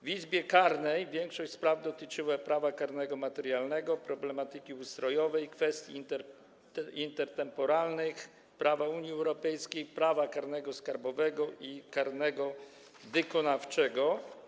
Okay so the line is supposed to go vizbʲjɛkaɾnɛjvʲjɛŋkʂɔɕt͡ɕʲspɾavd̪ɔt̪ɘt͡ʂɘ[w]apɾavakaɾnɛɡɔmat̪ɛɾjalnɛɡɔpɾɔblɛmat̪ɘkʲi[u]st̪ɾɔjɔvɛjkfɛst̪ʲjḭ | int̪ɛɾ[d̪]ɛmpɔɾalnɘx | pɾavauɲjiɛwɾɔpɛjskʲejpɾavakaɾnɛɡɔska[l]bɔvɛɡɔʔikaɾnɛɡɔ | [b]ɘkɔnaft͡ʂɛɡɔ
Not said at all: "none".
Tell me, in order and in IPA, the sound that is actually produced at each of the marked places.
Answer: w, u, t̪, ɾ, v

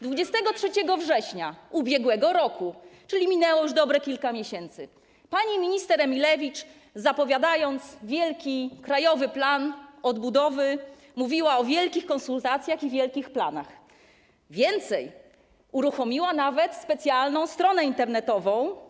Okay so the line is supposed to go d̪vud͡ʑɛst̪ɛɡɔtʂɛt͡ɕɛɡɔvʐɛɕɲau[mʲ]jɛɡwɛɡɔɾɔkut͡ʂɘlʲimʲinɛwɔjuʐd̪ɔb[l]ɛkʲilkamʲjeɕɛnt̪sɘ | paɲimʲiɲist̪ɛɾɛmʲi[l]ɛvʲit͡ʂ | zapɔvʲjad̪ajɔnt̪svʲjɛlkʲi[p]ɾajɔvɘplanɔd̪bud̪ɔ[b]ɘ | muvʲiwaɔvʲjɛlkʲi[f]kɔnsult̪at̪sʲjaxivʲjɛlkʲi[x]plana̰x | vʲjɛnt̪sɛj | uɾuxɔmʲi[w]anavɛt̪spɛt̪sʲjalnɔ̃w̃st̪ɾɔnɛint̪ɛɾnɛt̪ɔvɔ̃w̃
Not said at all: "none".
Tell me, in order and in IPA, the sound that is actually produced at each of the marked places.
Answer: bʲ, ɾ, l, k, v, x, x, w

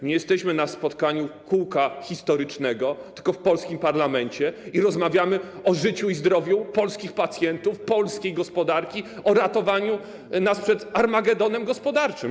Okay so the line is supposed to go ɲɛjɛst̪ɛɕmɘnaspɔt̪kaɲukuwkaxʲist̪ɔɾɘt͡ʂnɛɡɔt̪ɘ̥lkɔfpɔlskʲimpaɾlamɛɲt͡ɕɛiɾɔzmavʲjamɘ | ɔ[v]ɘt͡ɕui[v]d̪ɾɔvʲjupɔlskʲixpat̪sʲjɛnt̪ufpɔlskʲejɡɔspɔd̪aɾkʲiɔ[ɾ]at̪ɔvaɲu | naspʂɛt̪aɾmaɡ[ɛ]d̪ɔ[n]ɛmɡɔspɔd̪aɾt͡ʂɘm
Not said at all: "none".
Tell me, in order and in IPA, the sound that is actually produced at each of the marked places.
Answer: ʐ, z, ɾ, ɛ, n

